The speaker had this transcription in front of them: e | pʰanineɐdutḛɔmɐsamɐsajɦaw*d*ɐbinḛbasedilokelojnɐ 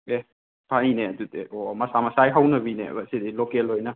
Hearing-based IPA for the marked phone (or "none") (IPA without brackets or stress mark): n